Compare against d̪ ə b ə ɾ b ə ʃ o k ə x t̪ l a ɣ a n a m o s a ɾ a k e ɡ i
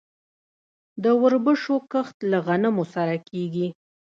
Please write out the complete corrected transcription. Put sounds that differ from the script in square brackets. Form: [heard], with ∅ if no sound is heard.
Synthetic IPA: d̪ ə [w] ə ɾ b ə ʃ o k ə x t̪ l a ɣ a n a m o s a ɾ a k e ɡ i